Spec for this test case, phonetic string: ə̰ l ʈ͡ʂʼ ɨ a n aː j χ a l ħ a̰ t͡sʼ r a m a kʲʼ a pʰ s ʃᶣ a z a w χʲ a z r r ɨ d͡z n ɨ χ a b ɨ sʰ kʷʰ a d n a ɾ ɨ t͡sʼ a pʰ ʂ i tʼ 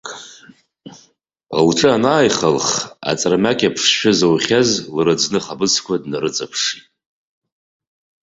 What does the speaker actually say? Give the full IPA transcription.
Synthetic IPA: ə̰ l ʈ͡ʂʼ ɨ a n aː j χ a l χ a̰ t͡sʼ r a m a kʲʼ a pʰ ʂ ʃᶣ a z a w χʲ a z l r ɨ d͡z n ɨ χ a b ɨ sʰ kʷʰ a d n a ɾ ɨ t͡sʼ a pʰ ʂ i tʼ

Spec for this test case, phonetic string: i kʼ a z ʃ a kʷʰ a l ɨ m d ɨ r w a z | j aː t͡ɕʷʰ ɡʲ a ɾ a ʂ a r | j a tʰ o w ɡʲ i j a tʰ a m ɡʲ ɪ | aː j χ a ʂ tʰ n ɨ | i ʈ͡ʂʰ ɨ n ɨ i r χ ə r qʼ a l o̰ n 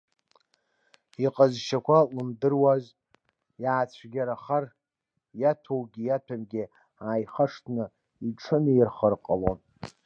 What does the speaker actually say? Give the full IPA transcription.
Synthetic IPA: i qʼ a z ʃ a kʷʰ a l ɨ m d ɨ r w a z | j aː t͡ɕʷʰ ɡʲ a ɾ a χ a r | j a tʰ o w ɡʲ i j a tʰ a m ɡʲ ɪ | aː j χ a ʂ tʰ n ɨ | i ʈ͡ʂʰ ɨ n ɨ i r χ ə r qʼ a l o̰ n

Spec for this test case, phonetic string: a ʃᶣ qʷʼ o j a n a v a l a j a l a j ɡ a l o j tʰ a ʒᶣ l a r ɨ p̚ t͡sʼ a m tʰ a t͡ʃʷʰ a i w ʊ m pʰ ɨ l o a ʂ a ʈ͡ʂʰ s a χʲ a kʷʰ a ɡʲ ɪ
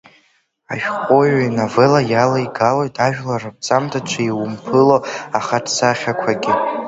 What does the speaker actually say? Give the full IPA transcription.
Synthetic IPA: a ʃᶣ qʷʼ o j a n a v e l a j a l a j ɡ a l o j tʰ a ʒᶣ l a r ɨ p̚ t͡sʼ a m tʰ a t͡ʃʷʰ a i w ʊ m pʰ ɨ l o a χ a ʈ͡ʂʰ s a χʲ a kʷʰ a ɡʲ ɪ

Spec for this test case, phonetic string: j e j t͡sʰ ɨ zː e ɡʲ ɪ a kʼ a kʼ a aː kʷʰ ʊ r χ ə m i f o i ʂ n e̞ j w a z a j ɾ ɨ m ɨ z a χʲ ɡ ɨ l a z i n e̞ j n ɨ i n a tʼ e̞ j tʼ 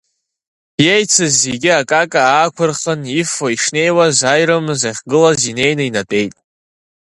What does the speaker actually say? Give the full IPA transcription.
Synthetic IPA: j e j t͡sʰ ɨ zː e ɡʲ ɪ a kʼ a kʼ a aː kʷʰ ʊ r χ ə n i f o i ʂ n e̞ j w a z a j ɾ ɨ m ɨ z a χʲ ɡ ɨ l a z i n e̞ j n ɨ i n a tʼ e̞ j tʼ

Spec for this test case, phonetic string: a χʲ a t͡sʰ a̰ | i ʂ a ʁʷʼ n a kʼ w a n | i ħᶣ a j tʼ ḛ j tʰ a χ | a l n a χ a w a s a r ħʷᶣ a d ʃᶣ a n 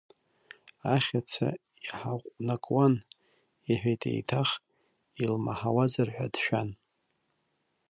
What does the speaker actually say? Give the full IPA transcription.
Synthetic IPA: a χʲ a t͡sʰ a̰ | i ħ a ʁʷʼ n a kʼ w a n | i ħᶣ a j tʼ ḛ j tʰ a χ | i l m a ħ a w a z a r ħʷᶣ a d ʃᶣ a n

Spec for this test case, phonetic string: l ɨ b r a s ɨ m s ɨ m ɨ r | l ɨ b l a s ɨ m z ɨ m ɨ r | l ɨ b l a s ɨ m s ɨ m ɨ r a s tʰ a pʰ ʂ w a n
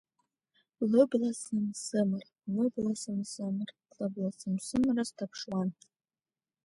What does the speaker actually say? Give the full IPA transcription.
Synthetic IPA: l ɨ b l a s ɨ m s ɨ m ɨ r | l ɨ b l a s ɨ m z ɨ m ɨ r | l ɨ b l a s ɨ m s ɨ m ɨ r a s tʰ a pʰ ʂ w a n

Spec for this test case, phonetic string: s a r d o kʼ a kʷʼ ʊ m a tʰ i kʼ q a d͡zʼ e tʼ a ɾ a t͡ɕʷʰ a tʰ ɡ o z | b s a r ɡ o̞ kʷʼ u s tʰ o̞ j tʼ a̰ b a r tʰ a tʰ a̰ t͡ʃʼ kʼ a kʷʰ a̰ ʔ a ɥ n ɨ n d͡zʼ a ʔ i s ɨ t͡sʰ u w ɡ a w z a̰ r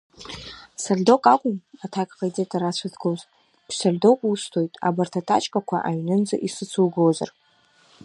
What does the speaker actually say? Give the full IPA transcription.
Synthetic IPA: s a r d o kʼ a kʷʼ ʊ m a tʰ a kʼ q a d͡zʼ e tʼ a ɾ a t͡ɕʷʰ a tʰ ɡ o z | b s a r d o̞ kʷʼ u s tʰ o̞ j tʼ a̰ b a r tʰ a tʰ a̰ t͡ʃʼ kʼ a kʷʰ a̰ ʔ a ɥ n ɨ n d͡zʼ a ʔ i s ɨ t͡sʰ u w ɡ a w z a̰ r

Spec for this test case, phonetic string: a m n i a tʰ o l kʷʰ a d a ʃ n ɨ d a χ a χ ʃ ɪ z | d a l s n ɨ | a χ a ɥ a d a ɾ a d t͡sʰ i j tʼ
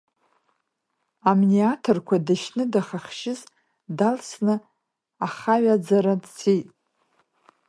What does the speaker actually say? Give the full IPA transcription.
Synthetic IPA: a m n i a tʰ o r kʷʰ a d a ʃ n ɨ d a χ a χ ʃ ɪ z | d a l s n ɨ | a χ a ɥ a d͡z a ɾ a d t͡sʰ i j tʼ

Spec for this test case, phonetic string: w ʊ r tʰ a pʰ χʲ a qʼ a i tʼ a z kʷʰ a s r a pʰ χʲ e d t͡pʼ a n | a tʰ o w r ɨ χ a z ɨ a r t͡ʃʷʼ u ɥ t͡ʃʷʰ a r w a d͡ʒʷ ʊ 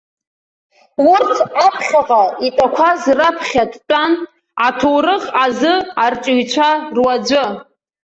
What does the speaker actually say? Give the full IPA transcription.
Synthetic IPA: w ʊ r tʰ a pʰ χʲ a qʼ a i tʼ a kʷʰ a z r a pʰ χʲ a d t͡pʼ a n | a tʰ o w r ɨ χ a z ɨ a r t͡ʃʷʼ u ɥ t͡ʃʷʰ a r w a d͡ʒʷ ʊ

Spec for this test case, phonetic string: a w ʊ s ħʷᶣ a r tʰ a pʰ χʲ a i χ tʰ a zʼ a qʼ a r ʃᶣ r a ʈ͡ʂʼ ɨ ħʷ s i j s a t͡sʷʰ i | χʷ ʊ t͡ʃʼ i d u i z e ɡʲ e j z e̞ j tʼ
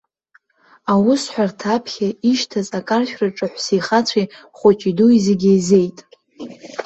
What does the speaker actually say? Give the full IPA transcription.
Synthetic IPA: a w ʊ s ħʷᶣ a r tʰ a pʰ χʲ a i ʃ tʰ a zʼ a kʼ a r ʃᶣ r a ʈ͡ʂʼ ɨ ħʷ s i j χ a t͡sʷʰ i | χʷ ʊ t͡ʃʼ i d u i z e ɡʲ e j z e̞ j tʼ

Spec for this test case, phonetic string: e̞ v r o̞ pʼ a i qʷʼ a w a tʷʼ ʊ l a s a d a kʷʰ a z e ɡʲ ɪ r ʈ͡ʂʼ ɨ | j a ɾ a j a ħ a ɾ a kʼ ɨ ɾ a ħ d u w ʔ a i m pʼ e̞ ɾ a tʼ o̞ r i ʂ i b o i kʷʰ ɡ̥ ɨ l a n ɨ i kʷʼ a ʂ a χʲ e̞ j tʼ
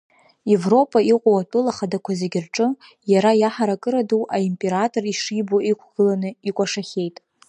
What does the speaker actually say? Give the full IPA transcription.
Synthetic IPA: e̞ v r o̞ pʼ a i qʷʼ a w a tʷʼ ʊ l a χ a d a kʷʰ a z e ɡʲ ɪ r ʈ͡ʂʼ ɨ | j a ɾ a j a ħ a ɾ a kʼ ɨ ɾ a d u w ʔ a i m pʼ e̞ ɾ a tʼ o̞ r i ʂ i b o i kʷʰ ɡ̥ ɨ l a n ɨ i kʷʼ a ʂ a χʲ e̞ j tʼ

